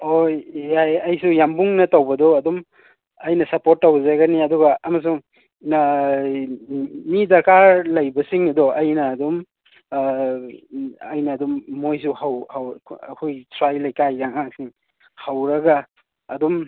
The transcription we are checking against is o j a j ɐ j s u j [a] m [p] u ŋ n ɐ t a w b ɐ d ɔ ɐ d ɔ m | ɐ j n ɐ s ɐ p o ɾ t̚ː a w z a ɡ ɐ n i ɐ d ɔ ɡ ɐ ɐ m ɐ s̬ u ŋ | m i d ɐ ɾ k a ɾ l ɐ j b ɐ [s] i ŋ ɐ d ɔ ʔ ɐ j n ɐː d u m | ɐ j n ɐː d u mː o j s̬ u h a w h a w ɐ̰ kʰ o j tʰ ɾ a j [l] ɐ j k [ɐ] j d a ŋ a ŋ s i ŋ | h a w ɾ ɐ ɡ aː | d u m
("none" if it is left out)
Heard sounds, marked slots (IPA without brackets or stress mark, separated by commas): a, b, s, l, a